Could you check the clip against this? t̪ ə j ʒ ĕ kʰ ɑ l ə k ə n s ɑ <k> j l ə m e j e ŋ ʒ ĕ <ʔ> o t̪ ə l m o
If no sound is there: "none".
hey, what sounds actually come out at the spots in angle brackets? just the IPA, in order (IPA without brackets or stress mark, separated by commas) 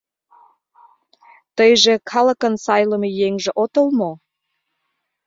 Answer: none, ʔ